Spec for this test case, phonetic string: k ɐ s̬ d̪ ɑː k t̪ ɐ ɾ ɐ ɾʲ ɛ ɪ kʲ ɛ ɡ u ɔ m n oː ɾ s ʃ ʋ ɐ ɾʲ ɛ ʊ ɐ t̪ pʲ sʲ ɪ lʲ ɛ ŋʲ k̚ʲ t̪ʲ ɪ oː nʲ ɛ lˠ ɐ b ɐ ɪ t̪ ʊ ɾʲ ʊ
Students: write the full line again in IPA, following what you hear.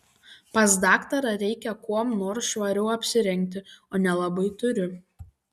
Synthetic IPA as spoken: p ɐ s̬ d̪ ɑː k t̪ ɐ ɾ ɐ ɾʲ ɛ ɪ kʲ ɛ k u ɔ m n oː ɾ s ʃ ʋ ɐ ɾʲ ɛ ʊ ɐ pʲ sʲ ɪ ɾʲ ɛ ŋʲ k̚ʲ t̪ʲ ɪ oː nʲ ɛ lˠ ɐ b ɐ ɪ t̪ ʊ ɾʲ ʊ